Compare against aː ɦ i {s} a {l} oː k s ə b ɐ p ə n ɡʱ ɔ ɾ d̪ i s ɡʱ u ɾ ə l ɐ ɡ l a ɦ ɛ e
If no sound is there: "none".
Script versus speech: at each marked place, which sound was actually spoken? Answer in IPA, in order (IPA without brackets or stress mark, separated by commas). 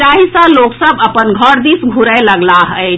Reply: s, l